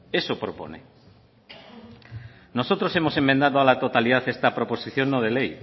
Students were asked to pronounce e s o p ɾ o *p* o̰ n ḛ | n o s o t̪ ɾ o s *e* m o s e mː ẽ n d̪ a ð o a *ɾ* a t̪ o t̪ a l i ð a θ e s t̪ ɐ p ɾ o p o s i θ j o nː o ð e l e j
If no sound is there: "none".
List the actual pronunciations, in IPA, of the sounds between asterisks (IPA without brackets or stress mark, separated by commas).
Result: p, e, l